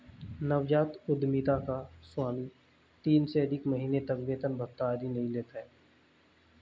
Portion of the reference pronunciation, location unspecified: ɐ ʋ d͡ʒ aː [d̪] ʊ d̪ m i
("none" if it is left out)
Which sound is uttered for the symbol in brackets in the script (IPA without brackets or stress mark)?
t̪